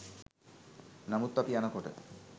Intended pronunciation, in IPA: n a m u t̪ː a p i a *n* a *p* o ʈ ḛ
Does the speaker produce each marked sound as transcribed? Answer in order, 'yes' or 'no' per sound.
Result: yes, no

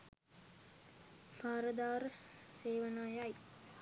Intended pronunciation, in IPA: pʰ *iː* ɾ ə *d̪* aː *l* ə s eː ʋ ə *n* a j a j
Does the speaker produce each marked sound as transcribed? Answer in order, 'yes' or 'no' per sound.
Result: no, yes, no, yes

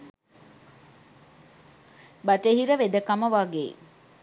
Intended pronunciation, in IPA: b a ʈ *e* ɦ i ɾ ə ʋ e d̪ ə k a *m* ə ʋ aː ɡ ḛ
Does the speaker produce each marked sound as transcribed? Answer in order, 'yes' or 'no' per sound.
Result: yes, yes

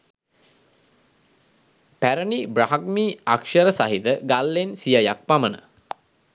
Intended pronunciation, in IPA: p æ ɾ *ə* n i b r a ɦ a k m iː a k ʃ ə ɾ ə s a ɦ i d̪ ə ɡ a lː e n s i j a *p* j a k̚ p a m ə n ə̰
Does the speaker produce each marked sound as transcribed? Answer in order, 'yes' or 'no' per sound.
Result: yes, no

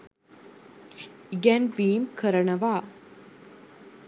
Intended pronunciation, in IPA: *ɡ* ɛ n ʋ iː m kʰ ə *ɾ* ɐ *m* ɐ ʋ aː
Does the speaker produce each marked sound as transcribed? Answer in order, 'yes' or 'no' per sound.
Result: yes, yes, no

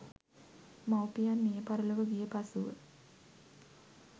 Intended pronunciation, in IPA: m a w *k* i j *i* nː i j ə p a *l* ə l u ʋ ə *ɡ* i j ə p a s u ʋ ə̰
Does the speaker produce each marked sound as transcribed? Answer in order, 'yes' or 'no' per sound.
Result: no, no, no, yes

